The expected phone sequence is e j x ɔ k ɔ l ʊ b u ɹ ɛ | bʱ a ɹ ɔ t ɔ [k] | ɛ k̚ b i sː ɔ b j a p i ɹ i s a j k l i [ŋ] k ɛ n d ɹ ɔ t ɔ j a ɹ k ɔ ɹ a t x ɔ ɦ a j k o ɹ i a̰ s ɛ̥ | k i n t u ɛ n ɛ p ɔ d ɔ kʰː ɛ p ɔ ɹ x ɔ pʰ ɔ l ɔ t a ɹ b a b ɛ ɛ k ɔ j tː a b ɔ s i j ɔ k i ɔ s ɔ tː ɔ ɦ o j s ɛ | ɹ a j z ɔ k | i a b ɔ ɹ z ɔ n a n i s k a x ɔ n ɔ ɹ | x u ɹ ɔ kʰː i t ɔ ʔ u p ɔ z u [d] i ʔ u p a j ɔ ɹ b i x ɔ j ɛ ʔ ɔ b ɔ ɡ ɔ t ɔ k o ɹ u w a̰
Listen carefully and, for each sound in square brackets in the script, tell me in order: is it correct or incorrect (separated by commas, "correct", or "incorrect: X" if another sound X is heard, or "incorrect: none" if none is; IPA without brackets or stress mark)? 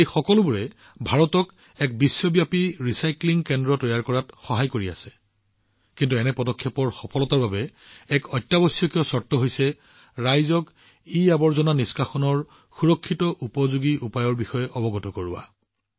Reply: correct, correct, incorrect: ɡ